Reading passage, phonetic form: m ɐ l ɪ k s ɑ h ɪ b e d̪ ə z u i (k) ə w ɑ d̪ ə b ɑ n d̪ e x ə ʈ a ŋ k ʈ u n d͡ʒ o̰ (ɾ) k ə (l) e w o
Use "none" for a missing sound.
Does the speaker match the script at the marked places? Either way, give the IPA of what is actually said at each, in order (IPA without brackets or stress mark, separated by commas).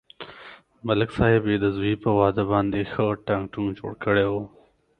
p, ɽ, ɽ